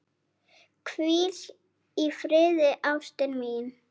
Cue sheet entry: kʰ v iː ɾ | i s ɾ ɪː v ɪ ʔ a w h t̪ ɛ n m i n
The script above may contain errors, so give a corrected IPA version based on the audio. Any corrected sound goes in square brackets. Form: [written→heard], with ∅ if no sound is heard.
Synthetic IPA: kʰ v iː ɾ | i [s→f] ɾ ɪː [v→ð] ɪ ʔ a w [h→s] t̪ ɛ n m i n

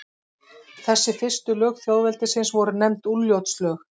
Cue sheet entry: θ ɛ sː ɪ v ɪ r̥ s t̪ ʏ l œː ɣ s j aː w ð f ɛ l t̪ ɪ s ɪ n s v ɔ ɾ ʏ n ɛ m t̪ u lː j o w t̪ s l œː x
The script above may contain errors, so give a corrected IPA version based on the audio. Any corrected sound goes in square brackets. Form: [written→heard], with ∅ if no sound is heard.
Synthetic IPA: θ ɛ sː ɪ [v→f] ɪ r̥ s t̪ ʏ l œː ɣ [s→θ] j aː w ð [f→v] ɛ l t̪ ɪ s ɪ n s v ɔ ɾ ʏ n ɛ m t̪ u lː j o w t̪ s l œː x

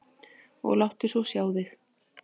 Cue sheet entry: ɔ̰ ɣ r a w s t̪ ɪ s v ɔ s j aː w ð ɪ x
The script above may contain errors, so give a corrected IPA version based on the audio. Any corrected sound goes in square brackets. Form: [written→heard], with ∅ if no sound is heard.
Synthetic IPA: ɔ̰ ɣ [r→l] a w [s→h] t̪ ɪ s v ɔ s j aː w ð ɪ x

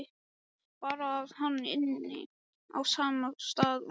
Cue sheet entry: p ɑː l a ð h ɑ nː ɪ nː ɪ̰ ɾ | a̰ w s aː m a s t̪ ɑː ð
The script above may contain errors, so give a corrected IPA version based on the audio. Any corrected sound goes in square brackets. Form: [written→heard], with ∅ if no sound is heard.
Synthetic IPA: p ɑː [l→ɾ] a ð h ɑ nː ɪ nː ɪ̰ [ɾ→∅] | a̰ w s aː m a s t̪ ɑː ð

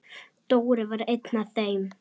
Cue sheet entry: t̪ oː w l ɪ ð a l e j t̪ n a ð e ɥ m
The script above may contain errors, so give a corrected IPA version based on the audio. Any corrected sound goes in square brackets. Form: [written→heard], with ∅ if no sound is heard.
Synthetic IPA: t̪ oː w [l→ɾ] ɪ [ð→v] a [l→ɾ] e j t̪ n a [ð→θ] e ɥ m

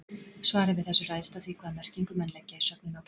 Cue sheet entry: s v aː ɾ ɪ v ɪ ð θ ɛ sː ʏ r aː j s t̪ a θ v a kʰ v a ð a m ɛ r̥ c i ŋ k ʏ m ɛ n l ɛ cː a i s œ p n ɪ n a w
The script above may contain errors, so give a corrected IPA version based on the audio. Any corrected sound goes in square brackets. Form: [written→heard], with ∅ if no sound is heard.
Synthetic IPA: s v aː ɾ ɪ v ɪ ð θ ɛ sː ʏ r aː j s t̪ a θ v [a→i] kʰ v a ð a m ɛ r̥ c i ŋ k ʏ m ɛ n l ɛ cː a i s œ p n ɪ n a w

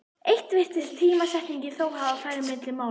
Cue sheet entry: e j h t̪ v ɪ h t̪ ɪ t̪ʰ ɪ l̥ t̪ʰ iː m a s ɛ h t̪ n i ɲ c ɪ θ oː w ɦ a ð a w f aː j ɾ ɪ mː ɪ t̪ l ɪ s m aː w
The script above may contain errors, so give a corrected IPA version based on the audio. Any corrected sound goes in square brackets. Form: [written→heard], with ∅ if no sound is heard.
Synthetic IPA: e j h t̪ v ɪ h t̪ ɪ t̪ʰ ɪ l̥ t̪ʰ iː m a s ɛ h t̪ n i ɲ c ɪ θ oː w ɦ a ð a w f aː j ɾ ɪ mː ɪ t̪ l ɪ [s→∅] m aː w

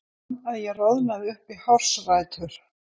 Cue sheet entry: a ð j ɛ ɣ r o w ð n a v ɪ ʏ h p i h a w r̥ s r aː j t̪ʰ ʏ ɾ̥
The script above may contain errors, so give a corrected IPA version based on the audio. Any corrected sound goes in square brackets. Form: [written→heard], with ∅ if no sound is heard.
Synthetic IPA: a ð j ɛ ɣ r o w ð n a [v→ð] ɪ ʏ h p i h a w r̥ s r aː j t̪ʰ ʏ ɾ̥

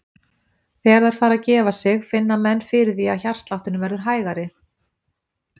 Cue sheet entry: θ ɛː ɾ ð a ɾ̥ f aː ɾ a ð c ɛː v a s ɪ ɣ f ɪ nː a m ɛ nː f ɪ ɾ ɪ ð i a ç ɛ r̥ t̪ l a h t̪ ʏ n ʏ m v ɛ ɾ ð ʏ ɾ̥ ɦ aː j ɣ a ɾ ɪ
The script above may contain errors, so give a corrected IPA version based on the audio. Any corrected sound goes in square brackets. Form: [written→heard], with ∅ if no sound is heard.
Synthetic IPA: θ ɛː ɾ ð a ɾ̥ f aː ɾ a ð c ɛː v a s ɪ ɣ f ɪ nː a m ɛ nː f ɪ ɾ ɪ [ð→θ] i a ç [ɛ→a] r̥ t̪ l a h t̪ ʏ n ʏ m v ɛ ɾ ð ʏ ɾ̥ ɦ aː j ɣ a ɾ ɪ

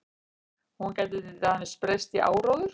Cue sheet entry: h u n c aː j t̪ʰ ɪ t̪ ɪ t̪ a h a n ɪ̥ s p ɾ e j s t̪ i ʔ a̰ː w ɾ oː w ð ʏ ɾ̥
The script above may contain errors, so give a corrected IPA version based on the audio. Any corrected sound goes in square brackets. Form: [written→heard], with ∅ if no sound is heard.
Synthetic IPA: h u n c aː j [t̪ʰ→t̪] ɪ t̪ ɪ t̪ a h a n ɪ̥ s p ɾ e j s t̪ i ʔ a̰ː w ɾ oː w ð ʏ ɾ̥

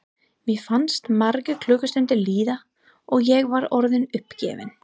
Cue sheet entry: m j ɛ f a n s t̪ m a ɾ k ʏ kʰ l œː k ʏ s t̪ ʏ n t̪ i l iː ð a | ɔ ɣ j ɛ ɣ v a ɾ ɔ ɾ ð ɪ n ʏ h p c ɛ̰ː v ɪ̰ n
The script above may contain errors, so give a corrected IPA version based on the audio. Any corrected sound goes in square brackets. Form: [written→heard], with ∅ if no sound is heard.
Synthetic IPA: m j ɛ f a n s t̪ m a ɾ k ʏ kʰ l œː k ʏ s t̪ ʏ n t̪ [i→ɪ] l iː ð a | ɔ ɣ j ɛ ɣ v a ɾ ɔ ɾ ð ɪ n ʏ h p c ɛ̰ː v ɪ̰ n

